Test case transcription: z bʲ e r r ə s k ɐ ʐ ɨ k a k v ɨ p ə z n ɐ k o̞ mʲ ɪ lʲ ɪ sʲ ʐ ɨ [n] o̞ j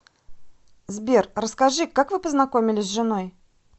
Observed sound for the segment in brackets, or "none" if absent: n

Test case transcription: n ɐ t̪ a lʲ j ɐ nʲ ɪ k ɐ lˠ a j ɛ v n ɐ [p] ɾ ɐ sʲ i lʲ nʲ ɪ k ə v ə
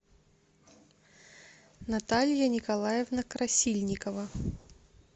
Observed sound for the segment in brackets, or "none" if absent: k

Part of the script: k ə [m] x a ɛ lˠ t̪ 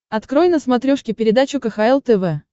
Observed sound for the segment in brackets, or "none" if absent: none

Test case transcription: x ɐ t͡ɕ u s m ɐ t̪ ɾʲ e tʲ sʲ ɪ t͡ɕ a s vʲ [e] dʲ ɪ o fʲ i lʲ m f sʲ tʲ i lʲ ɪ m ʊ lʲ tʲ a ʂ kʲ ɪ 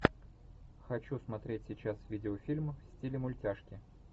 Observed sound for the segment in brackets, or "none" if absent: i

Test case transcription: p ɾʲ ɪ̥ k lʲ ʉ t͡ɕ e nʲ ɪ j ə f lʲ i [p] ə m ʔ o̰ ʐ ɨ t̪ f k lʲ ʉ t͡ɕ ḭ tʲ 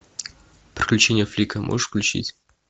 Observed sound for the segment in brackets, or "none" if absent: k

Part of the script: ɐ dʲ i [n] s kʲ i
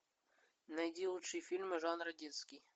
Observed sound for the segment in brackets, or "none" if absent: n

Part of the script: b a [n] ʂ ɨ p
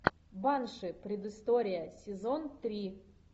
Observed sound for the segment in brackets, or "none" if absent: n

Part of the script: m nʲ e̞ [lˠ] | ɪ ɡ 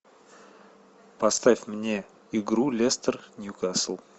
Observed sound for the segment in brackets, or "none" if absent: none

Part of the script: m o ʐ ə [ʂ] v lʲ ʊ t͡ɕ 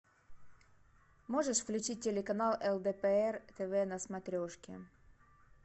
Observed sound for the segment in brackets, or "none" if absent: ʂ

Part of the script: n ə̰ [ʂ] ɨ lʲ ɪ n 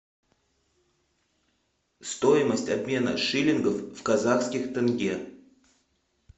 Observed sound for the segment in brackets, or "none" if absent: ʂ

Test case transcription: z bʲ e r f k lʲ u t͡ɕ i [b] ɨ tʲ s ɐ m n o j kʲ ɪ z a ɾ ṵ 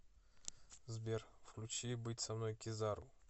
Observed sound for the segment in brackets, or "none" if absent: b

